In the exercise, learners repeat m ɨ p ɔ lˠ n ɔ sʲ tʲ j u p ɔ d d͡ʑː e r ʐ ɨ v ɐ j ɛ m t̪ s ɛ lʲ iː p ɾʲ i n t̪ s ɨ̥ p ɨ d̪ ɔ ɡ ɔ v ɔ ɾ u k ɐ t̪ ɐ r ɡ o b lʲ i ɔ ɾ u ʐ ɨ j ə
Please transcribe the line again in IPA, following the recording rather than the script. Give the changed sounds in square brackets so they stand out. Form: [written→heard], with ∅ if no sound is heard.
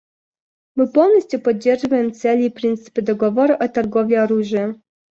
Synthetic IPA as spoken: m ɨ p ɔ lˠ n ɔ sʲ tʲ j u p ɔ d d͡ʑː e r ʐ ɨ v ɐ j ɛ m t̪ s ɛ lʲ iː p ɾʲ i n t̪ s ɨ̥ p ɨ d̪ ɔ ɡ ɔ v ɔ ɾ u [k→ʔ] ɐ t̪ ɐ r ɡ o [b→v] lʲ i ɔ ɾ u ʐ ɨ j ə

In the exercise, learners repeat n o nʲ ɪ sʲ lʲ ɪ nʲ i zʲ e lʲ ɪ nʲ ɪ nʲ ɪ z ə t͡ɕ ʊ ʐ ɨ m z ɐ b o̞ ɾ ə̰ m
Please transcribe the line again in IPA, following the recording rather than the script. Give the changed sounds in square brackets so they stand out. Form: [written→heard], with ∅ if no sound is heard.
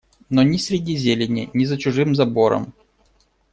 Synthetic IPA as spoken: n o nʲ ɪ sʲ [lʲ→ɾʲ] ɪ [nʲ→dʲ] i zʲ e lʲ ɪ nʲ ɪ nʲ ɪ z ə t͡ɕ ʊ ʐ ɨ m z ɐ b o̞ ɾ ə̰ m

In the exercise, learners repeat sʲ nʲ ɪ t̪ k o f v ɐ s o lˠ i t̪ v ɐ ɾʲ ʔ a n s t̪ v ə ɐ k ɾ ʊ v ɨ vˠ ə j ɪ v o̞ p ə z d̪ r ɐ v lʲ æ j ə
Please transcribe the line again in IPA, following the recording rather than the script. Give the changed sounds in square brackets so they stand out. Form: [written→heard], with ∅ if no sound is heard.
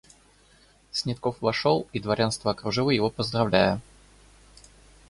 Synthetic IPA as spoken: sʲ nʲ ɪ t̪ k o f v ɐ [s→ʂ] o lˠ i [t̪→d̪] v ɐ ɾʲ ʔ a n s t̪ v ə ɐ k ɾ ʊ [v→ʐ] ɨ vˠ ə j ɪ v o̞ p ə z d̪ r ɐ v lʲ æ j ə

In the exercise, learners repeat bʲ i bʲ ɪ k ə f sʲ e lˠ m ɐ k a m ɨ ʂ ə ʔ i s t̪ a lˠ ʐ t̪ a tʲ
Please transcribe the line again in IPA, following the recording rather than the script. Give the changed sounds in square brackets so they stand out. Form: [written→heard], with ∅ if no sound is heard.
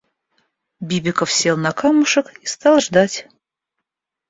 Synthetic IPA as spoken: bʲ i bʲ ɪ k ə f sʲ e lˠ [m→n] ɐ k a m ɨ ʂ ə [ʔ→k] i s t̪ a lˠ ʐ [t̪→d̪] a tʲ

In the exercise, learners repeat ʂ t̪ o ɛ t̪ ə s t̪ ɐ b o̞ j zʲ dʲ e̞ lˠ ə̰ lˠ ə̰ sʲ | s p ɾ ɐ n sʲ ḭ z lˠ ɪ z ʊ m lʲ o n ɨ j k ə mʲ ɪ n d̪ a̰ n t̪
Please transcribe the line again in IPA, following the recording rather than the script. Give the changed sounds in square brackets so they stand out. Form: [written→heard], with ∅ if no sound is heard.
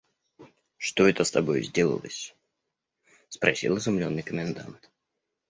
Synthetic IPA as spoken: ʂ t̪ o ɛ t̪ ə s t̪ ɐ b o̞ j zʲ dʲ e̞ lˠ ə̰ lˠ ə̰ sʲ | s p ɾ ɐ [n→∅] sʲ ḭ [z→∅] lˠ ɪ z ʊ m lʲ o [n→nː] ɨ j k ə mʲ ɪ n d̪ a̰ n t̪

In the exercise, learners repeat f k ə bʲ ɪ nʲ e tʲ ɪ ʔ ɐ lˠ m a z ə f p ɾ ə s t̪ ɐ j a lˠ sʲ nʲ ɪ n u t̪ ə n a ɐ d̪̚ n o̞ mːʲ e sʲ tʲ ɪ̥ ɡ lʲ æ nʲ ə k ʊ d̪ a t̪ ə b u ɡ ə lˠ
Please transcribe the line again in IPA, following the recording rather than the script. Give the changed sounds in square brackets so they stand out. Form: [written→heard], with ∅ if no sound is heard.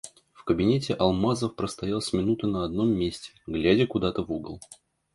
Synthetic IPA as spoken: f k ə bʲ ɪ nʲ e tʲ ɪ ʔ ɐ lˠ m a z ə f p ɾ ə s t̪ ɐ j a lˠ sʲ [nʲ→mʲ] ɪ n u t̪ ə n [a→ə] ɐ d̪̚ n o̞ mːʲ e sʲ tʲ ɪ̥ ɡ lʲ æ [nʲ→dʲ] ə k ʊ d̪ a t̪ ə [b→v] u ɡ ə lˠ

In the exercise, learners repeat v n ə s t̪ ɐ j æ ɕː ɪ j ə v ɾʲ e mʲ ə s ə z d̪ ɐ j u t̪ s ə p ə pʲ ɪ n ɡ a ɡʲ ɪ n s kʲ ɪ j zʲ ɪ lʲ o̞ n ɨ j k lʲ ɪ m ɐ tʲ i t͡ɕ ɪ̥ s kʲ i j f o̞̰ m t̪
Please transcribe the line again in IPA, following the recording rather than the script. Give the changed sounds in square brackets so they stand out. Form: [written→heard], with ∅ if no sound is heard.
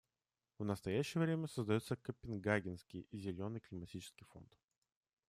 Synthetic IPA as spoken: v n ə s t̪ ɐ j æ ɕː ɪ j ə v ɾʲ e mʲ ə s ə z d̪ ɐ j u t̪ s ə [p→k] ə pʲ ɪ n ɡ a ɡʲ ɪ n s kʲ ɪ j zʲ ɪ lʲ o̞ n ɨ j k lʲ ɪ m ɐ tʲ i t͡ɕ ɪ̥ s kʲ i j f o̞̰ [m→n] t̪

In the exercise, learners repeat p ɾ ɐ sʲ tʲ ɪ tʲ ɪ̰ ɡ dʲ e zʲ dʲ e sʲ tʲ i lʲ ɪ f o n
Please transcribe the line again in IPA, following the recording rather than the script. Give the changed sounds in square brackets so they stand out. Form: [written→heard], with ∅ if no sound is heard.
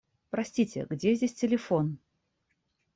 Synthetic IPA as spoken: p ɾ ɐ sʲ tʲ [ɪ→i] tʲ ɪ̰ ɡ dʲ e zʲ dʲ e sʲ tʲ [i→ɪ] lʲ ɪ f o n

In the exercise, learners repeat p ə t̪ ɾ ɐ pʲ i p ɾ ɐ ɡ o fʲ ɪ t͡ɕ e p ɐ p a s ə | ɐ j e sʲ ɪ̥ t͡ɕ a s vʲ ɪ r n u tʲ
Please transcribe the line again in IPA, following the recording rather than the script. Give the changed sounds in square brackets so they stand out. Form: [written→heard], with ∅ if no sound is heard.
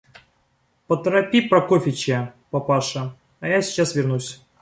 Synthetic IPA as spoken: p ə t̪ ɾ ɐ pʲ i p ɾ ɐ [ɡ→k] o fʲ ɪ t͡ɕ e p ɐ p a [s→ʂ] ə | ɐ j [e→a] sʲ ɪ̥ t͡ɕ a s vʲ ɪ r n u [tʲ→sʲ]

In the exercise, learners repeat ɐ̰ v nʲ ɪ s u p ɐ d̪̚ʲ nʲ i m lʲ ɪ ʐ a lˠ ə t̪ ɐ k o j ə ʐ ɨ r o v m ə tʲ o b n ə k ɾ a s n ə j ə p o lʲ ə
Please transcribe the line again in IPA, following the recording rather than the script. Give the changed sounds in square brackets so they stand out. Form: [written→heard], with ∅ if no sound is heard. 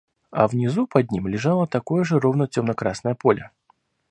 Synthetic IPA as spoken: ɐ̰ v nʲ ɪ [s→z] u p ɐ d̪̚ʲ nʲ i m lʲ ɪ ʐ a lˠ ə t̪ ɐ k o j ə ʐ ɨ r o v [m→n] ə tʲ o [b→m] n ə k ɾ a s n ə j ə p o lʲ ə

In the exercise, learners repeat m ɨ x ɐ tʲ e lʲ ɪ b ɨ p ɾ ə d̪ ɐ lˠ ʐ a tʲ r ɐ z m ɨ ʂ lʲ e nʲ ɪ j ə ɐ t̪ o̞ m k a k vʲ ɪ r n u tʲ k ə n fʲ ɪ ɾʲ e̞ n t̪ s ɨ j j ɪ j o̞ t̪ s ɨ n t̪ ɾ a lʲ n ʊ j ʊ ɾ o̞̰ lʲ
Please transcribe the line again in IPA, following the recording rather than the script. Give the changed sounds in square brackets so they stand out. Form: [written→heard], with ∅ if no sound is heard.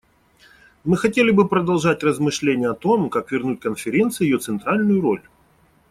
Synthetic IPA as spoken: m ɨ x ɐ tʲ e lʲ ɪ b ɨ p ɾ ə d̪ ɐ lˠ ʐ a tʲ r [ɐ→ə] z m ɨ ʂ lʲ e nʲ ɪ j ə ɐ t̪ o̞ m k a k vʲ ɪ r n u tʲ k ə n fʲ ɪ ɾʲ e̞ n t̪ s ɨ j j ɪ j o̞ t̪ s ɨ n t̪ ɾ a lʲ n ʊ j ʊ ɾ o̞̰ lʲ

